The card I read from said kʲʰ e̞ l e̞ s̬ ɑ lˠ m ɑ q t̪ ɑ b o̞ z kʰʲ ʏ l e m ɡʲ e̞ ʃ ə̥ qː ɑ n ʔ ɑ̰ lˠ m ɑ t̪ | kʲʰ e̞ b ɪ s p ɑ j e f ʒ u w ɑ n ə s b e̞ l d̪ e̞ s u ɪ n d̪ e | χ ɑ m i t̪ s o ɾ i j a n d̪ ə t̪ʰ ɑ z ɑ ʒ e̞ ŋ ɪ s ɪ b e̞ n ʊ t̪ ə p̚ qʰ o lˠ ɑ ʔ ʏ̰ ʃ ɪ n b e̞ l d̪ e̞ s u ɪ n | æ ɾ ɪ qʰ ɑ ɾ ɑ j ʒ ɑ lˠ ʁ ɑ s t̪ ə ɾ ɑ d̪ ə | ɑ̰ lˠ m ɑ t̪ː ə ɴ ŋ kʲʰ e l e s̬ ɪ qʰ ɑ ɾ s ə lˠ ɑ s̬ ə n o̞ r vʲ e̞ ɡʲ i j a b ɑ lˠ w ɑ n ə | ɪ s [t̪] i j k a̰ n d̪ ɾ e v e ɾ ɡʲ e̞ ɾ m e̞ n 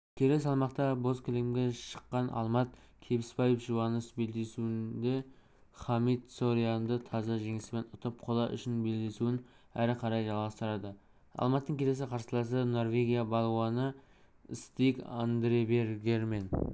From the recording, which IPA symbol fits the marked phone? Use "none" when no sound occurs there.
t̪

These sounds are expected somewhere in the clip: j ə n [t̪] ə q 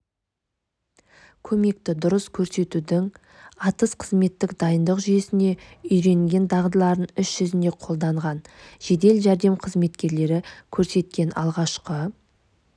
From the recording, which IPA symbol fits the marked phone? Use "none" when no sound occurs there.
d̪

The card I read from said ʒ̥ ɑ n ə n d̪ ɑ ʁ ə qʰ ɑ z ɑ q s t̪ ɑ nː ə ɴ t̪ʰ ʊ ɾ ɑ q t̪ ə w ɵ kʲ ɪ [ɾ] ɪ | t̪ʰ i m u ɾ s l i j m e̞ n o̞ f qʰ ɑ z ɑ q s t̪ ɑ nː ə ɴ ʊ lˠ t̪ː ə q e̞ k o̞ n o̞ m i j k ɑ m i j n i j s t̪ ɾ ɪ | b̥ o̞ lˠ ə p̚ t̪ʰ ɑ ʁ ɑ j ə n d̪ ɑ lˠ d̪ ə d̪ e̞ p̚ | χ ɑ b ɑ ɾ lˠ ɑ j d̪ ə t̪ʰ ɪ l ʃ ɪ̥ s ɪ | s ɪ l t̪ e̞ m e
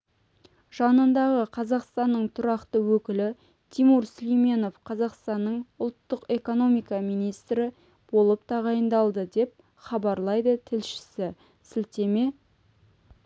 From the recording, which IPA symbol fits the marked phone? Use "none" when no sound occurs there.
l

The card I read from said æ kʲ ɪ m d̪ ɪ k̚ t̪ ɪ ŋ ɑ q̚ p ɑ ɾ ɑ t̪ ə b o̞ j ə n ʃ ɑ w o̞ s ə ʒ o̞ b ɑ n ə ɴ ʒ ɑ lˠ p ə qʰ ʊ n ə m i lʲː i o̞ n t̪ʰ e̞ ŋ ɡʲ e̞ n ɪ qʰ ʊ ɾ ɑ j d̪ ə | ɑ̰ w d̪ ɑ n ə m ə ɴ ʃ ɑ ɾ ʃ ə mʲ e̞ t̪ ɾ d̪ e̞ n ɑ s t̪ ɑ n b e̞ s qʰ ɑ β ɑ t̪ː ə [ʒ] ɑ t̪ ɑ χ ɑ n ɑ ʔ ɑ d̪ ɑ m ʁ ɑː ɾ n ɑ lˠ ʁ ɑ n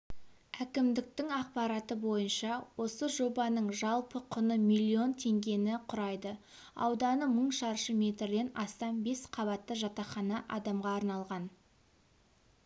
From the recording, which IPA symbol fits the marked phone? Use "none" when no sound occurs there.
ʒ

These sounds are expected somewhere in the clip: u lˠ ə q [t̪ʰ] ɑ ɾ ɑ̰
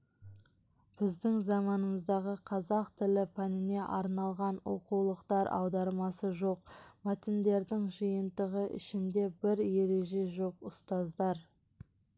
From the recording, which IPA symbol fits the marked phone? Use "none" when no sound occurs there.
t̪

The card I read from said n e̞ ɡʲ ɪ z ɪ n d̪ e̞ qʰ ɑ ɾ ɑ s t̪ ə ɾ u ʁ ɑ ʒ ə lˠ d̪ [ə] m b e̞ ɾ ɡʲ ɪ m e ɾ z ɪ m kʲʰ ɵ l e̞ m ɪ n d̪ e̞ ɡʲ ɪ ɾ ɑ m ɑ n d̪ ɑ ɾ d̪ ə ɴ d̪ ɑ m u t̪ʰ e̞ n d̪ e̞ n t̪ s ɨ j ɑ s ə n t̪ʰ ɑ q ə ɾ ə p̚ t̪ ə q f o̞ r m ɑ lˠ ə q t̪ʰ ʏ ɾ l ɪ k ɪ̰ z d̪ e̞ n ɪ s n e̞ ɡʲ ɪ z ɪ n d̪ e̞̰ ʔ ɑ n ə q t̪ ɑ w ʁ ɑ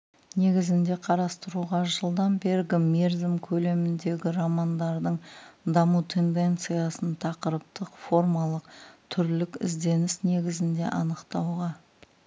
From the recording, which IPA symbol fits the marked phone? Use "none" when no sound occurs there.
ɑ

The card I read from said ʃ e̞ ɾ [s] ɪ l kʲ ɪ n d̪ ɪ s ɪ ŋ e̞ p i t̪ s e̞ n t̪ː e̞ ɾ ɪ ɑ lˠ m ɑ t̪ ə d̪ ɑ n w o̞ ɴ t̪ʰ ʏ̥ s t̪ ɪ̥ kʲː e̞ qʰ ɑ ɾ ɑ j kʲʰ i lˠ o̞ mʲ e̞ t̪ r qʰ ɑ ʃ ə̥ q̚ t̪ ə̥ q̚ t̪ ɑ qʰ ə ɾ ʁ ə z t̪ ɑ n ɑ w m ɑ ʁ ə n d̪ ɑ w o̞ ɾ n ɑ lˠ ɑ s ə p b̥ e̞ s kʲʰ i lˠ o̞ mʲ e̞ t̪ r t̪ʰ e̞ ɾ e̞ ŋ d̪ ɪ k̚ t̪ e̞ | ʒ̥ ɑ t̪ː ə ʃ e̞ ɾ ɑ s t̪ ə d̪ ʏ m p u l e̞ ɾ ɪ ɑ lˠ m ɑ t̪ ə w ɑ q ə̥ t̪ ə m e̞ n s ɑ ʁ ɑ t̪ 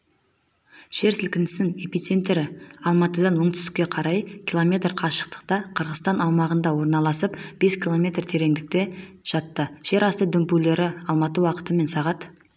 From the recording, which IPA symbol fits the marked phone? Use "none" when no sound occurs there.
s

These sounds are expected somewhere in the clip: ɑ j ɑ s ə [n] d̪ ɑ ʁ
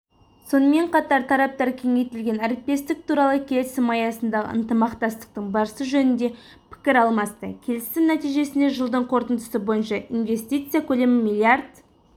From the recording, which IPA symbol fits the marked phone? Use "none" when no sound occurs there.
n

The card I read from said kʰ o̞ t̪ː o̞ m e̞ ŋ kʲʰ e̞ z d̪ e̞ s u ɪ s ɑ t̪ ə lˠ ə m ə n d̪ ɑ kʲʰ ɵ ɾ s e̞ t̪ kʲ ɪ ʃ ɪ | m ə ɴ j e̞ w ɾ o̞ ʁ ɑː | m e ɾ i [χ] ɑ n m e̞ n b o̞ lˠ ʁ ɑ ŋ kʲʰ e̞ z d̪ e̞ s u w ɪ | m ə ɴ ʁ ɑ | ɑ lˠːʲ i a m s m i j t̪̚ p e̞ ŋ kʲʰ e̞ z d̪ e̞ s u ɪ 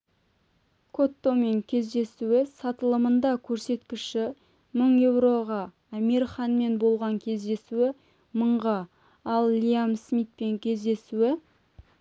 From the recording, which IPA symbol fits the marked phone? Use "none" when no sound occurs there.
χ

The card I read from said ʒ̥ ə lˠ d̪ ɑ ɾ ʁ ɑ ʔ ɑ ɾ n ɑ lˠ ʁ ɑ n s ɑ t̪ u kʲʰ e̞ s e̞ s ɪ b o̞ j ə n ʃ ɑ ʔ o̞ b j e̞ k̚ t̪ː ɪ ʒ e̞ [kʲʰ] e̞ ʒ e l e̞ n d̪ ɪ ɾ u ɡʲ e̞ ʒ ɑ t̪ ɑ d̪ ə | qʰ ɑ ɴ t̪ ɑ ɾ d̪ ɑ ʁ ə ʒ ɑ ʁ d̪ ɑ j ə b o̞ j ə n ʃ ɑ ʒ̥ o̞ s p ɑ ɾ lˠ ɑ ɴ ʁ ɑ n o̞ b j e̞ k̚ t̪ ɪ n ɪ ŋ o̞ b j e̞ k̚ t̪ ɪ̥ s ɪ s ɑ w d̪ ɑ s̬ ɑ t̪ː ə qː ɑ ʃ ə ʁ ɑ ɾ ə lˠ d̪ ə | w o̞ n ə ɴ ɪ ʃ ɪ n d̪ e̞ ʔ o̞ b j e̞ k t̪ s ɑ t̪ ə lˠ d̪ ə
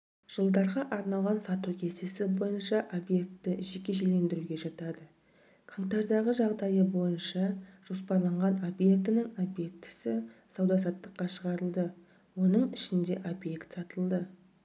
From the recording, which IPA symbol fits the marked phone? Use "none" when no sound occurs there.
kʲ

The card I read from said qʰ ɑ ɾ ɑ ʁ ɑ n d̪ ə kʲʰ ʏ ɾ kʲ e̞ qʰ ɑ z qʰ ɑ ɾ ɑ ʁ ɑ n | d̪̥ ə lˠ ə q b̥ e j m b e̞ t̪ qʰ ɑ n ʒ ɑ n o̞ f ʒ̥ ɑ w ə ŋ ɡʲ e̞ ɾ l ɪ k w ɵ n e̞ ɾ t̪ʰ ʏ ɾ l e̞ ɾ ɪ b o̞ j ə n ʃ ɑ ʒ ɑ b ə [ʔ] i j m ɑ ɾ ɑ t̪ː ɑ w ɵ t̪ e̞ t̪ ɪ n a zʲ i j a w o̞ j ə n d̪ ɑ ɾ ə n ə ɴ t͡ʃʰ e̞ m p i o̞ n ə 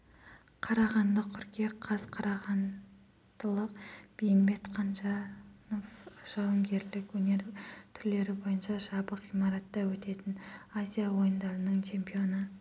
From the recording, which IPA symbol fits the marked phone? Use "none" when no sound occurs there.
q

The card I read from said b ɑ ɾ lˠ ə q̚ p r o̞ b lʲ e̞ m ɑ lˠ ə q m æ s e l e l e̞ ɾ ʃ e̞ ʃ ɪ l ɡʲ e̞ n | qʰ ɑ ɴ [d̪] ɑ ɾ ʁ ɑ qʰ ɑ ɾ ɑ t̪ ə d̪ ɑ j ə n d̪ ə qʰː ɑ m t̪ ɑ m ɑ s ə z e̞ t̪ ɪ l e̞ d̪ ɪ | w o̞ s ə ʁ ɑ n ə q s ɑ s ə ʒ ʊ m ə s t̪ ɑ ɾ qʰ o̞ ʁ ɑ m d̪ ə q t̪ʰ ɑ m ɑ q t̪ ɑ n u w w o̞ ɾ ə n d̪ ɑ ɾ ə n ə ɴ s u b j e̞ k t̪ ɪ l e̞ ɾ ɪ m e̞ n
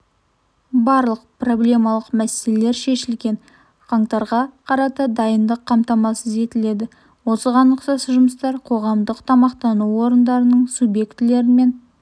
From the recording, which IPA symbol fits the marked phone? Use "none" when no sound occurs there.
t̪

